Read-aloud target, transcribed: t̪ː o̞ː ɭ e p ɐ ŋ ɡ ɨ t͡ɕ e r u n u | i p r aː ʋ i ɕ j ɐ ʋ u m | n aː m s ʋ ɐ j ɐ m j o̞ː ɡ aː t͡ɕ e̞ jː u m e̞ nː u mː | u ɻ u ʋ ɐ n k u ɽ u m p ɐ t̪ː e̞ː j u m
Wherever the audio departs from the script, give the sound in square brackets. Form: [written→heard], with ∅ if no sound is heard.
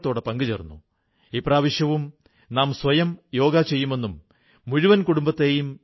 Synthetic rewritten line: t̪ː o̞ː [ɭ→ɽ] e p ɐ ŋ ɡ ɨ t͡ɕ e r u [n→nː] u | i p r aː ʋ i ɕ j ɐ ʋ u m | n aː m s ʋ ɐ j ɐ m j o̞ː ɡ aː t͡ɕ e̞ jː u m e̞ nː u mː | u ɻ u ʋ ɐ n k u ɽ u m [p→b] ɐ t̪ː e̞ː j u m